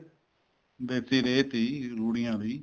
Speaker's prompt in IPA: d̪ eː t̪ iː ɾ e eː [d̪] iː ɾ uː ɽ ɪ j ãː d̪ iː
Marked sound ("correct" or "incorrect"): incorrect